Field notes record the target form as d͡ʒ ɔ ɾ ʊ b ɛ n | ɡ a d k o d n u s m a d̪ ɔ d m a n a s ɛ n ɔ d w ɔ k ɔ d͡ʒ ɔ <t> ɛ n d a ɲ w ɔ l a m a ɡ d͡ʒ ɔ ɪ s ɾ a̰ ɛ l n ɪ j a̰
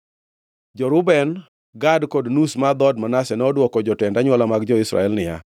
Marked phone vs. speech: correct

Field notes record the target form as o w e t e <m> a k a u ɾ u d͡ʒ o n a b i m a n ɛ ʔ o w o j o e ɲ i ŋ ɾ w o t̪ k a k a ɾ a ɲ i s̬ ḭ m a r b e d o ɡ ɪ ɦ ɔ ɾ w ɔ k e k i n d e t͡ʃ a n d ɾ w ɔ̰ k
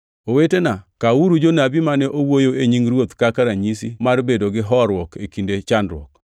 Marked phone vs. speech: incorrect: n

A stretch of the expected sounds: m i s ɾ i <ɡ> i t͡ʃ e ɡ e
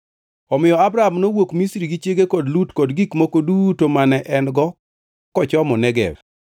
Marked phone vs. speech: correct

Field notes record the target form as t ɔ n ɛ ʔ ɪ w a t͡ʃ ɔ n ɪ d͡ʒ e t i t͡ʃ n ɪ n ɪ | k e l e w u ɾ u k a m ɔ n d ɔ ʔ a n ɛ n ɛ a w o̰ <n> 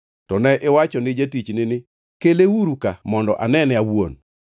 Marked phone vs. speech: correct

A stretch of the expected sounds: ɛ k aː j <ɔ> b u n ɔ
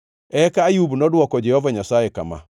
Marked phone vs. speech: incorrect: u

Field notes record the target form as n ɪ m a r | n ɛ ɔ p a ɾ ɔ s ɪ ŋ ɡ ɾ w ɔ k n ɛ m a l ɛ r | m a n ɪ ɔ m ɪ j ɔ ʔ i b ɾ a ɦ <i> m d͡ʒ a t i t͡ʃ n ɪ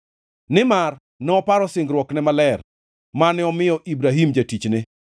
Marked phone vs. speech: correct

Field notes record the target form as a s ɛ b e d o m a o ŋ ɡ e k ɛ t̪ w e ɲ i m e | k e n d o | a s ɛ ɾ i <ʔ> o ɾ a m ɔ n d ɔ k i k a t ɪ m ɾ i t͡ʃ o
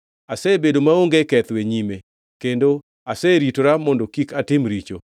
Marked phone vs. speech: incorrect: t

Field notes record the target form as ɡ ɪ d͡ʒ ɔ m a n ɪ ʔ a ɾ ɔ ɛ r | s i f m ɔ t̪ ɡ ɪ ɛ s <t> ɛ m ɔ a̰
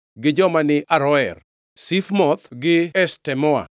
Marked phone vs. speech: correct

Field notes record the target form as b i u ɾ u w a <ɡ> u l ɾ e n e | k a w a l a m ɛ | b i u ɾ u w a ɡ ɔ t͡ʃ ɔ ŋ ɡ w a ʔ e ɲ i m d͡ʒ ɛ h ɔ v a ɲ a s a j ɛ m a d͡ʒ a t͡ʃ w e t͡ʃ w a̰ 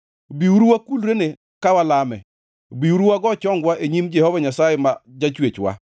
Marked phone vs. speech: incorrect: k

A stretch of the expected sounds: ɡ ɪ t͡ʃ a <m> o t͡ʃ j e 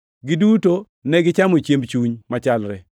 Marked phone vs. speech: correct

